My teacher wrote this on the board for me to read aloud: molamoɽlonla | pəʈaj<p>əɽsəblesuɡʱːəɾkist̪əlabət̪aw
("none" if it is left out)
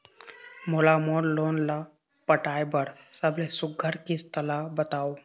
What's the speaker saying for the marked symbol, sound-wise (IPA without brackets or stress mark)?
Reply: b